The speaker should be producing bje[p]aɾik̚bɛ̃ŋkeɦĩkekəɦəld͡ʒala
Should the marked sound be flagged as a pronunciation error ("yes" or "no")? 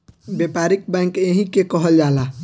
no